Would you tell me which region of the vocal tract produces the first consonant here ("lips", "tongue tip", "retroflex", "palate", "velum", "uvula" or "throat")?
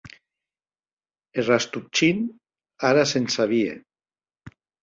tongue tip